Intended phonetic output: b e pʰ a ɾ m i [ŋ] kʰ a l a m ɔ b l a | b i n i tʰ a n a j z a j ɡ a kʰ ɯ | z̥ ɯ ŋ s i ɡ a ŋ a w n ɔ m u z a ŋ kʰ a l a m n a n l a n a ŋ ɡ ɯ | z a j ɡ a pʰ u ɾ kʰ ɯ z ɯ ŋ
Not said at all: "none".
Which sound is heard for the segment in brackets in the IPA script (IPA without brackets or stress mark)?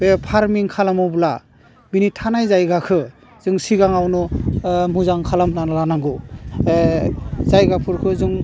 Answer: ŋ